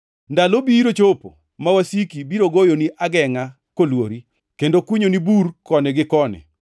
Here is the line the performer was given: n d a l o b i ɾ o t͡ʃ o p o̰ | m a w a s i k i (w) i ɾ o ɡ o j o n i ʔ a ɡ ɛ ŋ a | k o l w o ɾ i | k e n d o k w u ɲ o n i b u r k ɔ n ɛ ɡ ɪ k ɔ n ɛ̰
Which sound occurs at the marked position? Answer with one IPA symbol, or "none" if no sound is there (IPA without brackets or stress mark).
b